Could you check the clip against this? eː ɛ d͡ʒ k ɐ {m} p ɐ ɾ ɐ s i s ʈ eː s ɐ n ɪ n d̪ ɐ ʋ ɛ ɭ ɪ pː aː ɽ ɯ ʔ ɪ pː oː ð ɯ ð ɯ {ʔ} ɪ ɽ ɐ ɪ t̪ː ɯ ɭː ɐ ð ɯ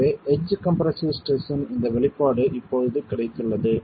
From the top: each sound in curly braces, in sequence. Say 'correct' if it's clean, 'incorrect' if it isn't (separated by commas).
correct, incorrect